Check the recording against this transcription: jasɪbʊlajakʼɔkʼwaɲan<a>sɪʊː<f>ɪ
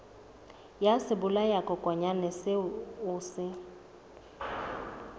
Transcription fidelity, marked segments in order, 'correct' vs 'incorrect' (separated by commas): incorrect, incorrect